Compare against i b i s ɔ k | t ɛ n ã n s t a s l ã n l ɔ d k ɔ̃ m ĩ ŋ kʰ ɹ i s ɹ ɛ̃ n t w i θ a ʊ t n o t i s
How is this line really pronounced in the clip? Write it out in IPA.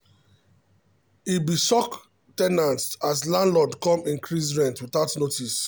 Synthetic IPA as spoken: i b i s ɔ k | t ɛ n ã n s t a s l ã n l ɔ d k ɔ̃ m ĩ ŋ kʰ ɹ i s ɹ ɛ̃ n t w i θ a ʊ t n o t i s

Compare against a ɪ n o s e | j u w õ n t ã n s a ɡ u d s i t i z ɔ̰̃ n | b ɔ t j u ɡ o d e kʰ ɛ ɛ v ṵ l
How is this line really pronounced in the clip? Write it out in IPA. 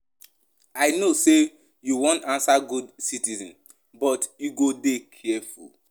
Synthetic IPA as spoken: a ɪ n o s e | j u w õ n t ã n s a ɡ u d s i t i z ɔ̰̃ n | b ɔ t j u ɡ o d e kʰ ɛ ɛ f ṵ l

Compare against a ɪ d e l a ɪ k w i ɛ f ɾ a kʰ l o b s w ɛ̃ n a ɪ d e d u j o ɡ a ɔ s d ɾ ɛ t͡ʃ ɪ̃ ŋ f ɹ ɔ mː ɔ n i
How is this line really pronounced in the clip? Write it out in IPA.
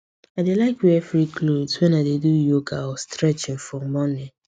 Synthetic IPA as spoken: a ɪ d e l a ɪ k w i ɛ f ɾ i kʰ l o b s w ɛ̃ n a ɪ d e d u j o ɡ a ɔ s t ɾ ɛ t͡ʃ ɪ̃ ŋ f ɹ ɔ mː ɔ n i

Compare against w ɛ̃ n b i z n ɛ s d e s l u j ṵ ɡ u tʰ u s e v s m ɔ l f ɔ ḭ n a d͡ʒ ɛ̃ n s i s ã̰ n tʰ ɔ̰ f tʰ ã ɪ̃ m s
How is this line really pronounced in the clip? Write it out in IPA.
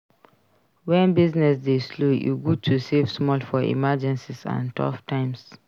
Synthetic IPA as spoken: w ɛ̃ n b i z n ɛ s d e s l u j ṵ ɡ u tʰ u s e v s m ɔ l f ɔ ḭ m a d͡ʒ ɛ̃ n s i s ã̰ n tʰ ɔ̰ f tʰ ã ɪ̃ m s

